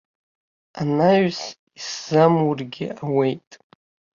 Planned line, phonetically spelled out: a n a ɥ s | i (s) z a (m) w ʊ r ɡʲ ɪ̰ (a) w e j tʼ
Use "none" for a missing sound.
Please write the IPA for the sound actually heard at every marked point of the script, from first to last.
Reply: s, m, a

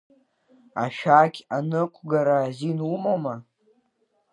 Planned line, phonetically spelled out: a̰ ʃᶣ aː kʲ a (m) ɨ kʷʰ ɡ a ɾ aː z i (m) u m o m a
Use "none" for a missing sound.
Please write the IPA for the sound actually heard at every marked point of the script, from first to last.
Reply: n, n

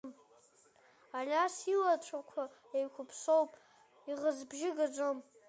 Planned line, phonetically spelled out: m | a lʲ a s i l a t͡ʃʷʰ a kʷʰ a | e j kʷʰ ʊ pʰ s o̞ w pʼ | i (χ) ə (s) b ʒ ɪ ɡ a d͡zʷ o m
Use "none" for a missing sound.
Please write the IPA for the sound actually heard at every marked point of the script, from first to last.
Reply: ʁ, z

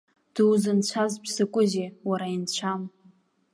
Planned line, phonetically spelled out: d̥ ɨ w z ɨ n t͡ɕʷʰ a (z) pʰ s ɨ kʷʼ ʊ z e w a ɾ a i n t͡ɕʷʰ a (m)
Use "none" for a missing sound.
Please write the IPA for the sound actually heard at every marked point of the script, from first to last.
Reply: z, m

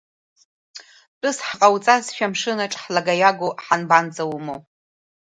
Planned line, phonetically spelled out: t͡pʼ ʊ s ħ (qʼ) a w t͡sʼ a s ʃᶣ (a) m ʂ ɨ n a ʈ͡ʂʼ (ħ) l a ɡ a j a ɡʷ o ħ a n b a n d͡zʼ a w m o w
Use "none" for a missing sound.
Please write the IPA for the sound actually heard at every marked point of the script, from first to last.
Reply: qʼ, a, ħ

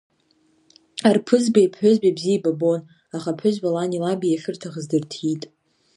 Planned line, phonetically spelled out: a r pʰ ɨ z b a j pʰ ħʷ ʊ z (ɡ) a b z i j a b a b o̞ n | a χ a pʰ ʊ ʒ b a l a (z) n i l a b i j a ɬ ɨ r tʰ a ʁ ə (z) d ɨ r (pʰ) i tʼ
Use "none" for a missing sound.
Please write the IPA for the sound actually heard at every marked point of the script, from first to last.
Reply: b, none, z, tʰ

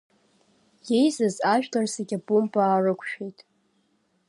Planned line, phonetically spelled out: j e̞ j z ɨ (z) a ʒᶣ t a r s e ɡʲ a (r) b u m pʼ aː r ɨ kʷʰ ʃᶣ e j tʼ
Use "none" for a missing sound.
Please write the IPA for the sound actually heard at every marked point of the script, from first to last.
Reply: z, none

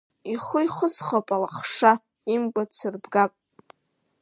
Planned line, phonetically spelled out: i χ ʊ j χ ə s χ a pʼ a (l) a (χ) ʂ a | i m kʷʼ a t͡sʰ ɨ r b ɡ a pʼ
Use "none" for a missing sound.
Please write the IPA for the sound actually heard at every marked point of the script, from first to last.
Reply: l, χ

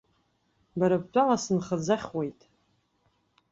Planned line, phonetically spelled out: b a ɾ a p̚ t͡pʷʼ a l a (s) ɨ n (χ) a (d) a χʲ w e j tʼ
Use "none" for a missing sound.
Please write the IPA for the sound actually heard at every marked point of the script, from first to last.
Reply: s, χ, d͡z

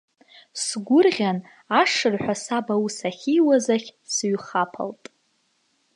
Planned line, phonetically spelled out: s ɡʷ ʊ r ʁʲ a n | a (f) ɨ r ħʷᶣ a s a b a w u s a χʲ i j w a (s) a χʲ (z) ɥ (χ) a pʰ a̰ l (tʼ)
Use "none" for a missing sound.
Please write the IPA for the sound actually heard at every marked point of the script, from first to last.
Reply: ʂ, z, s, χ, tʼ

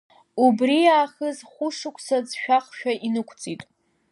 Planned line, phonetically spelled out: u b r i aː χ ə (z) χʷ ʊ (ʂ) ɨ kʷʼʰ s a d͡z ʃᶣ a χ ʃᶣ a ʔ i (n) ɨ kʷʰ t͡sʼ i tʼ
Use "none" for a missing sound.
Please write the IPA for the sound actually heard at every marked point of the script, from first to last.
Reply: z, ʂ, n

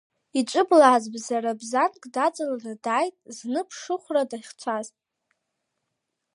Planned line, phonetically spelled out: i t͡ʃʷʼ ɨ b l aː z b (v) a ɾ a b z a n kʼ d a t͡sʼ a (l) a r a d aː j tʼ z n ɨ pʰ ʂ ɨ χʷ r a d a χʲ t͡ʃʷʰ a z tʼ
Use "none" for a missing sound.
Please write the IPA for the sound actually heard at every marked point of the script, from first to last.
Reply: z, l

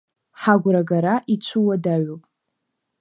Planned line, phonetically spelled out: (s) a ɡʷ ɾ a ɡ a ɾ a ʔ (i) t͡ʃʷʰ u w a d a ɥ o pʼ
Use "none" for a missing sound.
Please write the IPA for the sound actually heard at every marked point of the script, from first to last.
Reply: ħ, i

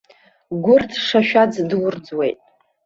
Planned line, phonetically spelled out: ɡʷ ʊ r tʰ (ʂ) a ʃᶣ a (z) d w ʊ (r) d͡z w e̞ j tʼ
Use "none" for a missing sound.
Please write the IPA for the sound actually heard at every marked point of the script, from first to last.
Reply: ʂ, d͡z, r

